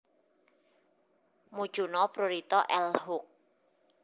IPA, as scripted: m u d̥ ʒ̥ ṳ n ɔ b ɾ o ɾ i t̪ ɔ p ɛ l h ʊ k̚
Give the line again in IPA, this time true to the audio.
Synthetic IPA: m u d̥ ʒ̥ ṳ n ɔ p ɾ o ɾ i t̪ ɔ ʔ ɛ l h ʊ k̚